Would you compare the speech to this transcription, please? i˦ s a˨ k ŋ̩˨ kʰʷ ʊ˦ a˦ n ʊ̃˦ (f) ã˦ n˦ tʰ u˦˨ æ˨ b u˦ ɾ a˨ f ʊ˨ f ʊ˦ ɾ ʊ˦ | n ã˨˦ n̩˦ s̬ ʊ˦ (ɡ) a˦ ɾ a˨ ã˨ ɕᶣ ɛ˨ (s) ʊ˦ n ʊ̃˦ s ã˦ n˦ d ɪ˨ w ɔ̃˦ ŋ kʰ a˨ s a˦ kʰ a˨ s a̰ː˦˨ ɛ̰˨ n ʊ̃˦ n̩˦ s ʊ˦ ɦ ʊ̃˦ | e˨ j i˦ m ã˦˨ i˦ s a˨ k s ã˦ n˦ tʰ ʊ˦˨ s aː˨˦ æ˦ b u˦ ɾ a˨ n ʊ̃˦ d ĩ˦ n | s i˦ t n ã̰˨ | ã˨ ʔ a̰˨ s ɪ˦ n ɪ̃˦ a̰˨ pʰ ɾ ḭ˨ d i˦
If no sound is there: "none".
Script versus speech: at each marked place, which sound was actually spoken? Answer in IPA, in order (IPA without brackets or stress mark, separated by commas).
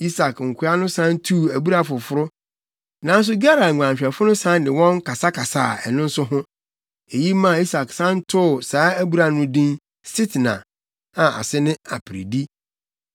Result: s, ɡ, f